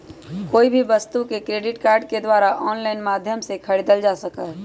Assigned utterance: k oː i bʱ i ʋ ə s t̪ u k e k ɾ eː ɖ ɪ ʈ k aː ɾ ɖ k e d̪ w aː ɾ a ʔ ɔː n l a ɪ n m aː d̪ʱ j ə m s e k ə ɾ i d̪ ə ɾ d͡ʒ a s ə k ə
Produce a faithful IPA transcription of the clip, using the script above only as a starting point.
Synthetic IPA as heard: k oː i bʱ i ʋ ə s t̪ u k e k ɾ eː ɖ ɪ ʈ k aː ɾ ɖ k e d̪ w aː ɾ a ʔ ɔː n l a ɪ n m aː d̪ʱ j ə m s e kʰ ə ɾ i d̪ ə l d͡ʒ a s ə k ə